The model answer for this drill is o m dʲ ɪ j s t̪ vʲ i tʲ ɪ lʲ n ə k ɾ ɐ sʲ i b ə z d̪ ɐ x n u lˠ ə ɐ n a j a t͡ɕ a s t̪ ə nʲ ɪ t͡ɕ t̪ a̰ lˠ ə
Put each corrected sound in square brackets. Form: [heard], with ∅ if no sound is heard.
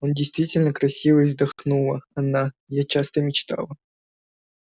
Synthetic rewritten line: o [n] dʲ ɪ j s t̪ vʲ i tʲ ɪ lʲ n ə k ɾ ɐ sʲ i [v] ə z d̪ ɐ x n u lˠ ə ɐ n a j a t͡ɕ a s t̪ ə [mʲ] ɪ t͡ɕ t̪ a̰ lˠ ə